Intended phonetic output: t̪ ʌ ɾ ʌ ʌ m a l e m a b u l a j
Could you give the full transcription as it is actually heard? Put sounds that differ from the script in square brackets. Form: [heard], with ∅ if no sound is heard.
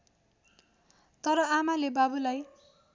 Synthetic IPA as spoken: t̪ ʌ ɾ ʌ [a] m a l e [b] a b u l a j